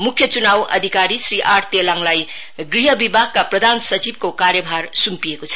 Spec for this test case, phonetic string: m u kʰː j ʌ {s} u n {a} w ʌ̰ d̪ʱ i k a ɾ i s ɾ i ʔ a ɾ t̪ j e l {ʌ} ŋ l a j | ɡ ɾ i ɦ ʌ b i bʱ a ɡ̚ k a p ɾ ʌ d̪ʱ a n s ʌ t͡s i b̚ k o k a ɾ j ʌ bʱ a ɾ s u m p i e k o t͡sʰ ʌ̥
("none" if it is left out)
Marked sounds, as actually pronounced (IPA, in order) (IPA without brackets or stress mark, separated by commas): t͡s, a, a